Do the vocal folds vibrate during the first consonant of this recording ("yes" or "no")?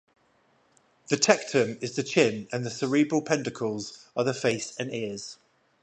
yes